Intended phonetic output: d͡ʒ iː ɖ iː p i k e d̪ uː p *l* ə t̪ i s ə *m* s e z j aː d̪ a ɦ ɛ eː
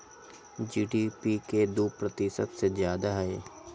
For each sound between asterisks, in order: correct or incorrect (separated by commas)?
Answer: incorrect, incorrect